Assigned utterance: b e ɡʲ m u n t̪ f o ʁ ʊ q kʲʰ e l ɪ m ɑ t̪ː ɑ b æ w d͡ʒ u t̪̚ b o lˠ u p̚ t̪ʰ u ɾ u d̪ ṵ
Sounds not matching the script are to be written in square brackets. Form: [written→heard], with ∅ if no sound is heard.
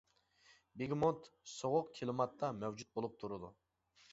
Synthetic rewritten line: b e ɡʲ m [u→o] n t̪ [f→s] o ʁ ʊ q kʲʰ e l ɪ m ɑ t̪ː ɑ [b→m] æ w d͡ʒ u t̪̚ b o lˠ u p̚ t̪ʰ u ɾ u d̪ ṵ